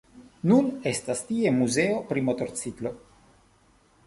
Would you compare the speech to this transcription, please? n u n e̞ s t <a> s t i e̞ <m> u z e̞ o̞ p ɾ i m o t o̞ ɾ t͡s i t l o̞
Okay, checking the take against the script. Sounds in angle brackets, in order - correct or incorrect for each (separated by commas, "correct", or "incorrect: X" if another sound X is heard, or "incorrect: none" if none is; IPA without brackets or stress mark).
correct, correct